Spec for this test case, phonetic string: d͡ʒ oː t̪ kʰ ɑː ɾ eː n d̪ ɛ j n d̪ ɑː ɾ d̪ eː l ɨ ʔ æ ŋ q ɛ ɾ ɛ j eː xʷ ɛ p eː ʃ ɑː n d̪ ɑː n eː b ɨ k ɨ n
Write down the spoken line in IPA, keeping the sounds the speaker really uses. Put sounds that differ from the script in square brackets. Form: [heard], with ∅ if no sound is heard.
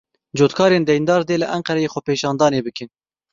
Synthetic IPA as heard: d͡ʒ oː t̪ kʰ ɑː ɾ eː n d̪ ɛ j n d̪ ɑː ɾ d̪ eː l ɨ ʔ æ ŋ q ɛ ɾ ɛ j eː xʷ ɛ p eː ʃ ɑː n d̪ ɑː n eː b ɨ k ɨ n